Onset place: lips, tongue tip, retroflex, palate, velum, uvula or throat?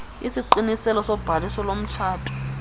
tongue tip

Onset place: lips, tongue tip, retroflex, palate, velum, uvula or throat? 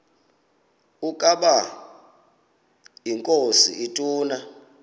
velum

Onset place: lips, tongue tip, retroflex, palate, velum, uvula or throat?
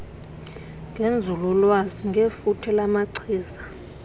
velum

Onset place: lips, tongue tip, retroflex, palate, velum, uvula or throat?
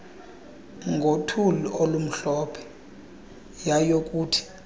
velum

